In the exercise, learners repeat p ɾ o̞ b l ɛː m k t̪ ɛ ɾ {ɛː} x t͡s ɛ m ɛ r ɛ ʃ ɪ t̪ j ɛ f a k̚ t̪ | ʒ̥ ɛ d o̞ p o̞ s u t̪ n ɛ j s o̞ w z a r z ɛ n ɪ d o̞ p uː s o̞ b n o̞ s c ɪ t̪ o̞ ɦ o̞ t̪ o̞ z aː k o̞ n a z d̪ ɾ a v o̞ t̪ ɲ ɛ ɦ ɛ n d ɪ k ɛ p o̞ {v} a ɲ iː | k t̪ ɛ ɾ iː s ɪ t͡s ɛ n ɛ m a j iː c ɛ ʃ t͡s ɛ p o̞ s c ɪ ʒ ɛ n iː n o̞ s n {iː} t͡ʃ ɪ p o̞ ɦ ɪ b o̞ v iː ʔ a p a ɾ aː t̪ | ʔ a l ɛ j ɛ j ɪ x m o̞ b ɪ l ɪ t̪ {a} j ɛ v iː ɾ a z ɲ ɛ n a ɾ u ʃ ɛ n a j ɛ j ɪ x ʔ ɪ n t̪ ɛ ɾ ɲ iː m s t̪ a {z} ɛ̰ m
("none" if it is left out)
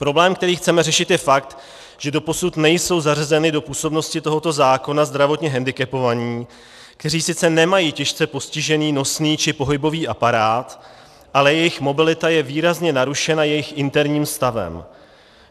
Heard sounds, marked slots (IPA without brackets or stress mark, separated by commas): iː, v, iː, a, v